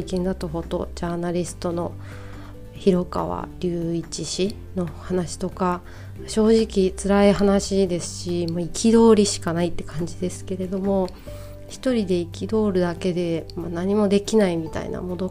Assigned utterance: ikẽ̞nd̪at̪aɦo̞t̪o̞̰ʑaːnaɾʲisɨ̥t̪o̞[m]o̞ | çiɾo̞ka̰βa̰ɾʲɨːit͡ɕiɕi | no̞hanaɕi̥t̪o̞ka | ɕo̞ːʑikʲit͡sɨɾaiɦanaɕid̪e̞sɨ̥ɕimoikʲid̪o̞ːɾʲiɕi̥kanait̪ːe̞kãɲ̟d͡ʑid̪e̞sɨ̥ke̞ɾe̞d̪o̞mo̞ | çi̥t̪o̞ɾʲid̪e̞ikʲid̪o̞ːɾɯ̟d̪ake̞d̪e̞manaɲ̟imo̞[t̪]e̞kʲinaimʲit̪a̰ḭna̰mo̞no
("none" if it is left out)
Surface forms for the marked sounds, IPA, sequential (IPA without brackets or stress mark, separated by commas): n, d̪